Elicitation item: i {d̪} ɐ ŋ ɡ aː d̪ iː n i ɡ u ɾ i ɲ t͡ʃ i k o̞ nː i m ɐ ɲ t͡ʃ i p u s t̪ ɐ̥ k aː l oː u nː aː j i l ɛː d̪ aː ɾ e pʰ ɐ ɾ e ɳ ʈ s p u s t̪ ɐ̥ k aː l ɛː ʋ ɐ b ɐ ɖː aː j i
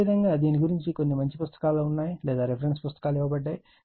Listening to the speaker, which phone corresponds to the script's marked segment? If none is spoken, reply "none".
d̪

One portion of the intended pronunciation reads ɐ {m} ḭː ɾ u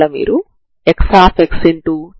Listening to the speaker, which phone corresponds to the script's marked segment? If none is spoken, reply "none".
m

